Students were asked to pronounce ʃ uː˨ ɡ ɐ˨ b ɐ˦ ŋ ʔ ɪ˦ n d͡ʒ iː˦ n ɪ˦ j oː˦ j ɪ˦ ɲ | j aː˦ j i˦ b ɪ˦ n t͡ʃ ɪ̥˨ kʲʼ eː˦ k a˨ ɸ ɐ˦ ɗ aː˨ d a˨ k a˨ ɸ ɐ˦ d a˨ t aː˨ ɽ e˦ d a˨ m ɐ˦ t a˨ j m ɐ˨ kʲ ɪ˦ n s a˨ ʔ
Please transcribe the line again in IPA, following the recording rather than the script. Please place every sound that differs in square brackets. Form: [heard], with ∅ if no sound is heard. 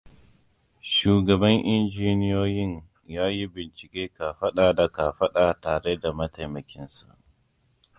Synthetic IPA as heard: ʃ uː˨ ɡ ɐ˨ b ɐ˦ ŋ ʔ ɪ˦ n d͡ʒ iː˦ n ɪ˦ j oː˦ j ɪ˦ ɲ | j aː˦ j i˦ b [ɪ˨] n t͡ʃ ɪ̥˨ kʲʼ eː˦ k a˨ ɸ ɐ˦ ɗ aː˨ d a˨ k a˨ ɸ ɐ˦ [ɗ] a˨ t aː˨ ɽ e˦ d a˨ m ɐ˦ t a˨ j m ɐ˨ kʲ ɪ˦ n s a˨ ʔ